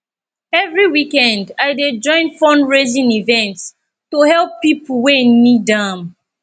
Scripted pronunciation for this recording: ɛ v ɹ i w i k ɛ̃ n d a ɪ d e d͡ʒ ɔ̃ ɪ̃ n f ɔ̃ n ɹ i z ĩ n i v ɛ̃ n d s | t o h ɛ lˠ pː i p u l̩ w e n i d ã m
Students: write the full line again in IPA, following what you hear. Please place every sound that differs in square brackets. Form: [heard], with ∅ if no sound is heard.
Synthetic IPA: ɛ v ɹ i w i k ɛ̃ n d a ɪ d e d͡ʒ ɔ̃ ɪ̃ n f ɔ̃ n ɹ [e] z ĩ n i v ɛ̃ n [t] s | t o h ɛ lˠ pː i p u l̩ w e n i d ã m